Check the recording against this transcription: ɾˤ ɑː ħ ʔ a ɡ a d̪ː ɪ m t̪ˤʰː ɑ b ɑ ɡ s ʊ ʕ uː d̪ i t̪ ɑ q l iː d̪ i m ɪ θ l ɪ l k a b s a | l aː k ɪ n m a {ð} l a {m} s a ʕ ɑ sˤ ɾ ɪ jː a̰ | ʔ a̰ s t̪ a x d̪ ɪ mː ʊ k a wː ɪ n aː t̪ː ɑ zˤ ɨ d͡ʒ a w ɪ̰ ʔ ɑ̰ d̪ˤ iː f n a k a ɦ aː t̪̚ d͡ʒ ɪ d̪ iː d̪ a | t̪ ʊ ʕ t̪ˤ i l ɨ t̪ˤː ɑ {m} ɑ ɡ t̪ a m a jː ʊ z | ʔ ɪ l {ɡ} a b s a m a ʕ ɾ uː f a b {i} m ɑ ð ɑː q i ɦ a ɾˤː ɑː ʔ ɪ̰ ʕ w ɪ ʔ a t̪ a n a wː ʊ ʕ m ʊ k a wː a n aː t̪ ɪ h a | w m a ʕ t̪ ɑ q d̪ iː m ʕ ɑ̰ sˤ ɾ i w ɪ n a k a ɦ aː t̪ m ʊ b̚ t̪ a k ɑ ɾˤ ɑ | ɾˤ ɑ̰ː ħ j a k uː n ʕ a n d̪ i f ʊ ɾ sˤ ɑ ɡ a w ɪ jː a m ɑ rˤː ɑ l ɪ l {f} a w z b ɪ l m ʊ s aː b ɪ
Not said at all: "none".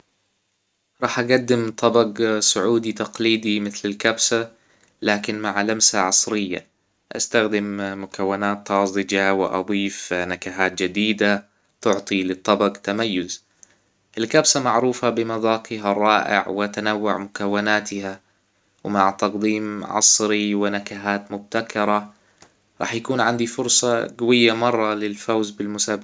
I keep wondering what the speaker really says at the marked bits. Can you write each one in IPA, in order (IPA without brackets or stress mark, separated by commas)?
ʕ, m, b, k, ɪ, f